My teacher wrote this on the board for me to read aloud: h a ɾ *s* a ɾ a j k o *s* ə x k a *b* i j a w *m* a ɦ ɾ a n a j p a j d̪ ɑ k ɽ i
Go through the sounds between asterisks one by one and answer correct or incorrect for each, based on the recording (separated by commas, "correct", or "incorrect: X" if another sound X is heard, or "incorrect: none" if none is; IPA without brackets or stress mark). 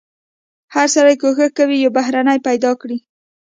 correct, incorrect: x, incorrect: w, incorrect: b